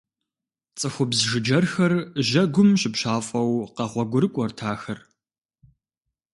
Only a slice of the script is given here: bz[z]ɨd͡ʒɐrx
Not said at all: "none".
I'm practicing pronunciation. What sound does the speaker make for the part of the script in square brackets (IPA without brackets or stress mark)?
ʒ